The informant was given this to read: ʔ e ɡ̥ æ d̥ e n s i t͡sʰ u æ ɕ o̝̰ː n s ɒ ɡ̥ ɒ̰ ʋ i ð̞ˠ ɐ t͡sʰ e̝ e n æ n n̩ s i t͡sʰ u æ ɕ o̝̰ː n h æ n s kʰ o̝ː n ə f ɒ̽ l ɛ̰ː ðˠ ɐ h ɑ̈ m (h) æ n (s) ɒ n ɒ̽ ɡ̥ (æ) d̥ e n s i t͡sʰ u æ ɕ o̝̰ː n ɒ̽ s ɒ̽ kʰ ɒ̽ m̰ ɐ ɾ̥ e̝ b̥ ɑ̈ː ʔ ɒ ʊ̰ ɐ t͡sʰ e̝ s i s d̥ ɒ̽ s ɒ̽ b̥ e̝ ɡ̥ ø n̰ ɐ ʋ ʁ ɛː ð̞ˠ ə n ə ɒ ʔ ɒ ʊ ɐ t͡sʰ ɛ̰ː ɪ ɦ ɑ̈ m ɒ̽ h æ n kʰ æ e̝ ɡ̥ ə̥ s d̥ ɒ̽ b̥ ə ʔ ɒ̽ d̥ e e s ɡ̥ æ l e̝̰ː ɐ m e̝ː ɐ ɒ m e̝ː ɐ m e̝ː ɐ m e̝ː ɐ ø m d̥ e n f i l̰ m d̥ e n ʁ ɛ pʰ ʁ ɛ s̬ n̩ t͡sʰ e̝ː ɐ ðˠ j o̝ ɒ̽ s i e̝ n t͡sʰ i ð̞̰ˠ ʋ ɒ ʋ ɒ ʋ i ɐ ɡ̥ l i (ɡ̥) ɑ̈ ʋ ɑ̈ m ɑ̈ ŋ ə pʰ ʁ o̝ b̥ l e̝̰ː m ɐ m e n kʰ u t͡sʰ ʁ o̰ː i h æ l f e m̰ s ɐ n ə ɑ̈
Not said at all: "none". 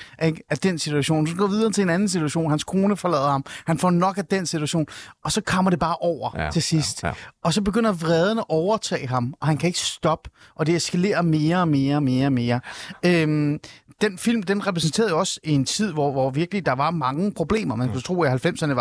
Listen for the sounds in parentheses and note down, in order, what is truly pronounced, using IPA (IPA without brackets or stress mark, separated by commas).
h, f, æ, d̥